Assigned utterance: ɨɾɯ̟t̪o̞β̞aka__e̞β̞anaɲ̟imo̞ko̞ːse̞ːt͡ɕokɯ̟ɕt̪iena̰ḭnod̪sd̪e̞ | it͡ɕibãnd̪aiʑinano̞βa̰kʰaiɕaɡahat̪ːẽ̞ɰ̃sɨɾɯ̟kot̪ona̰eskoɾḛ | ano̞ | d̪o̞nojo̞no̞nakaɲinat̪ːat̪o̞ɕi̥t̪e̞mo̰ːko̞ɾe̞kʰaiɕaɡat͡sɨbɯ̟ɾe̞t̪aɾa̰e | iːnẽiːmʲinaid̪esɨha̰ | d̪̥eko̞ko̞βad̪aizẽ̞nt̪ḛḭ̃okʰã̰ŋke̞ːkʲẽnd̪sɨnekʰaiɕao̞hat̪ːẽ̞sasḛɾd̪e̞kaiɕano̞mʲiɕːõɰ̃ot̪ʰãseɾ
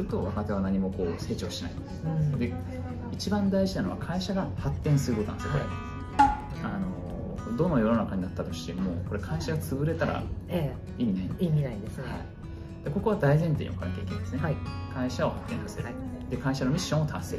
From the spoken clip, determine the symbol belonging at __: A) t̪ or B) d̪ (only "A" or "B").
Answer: A